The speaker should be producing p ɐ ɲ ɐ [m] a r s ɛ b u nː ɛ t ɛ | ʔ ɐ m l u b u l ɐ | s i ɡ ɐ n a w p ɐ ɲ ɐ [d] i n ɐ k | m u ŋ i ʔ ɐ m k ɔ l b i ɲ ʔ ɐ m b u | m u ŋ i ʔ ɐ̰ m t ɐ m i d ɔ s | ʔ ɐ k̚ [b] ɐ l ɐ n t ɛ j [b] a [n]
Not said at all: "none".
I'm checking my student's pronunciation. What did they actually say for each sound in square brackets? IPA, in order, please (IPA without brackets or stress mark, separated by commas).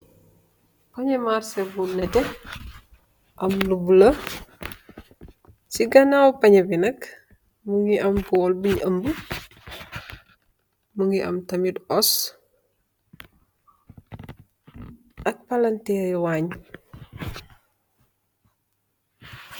m, b, p, w, ɲ